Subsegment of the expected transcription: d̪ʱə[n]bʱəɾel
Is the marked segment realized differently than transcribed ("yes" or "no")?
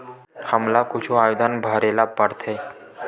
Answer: no